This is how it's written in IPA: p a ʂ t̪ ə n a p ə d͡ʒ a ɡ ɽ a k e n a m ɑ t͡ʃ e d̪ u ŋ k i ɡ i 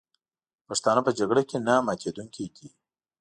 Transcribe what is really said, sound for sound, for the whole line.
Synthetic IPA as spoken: p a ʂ t̪ ɑ n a p ə d͡ʒ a ɡ ɽ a k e n a m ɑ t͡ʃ e d̪ u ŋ k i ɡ i